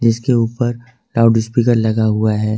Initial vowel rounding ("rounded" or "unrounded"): unrounded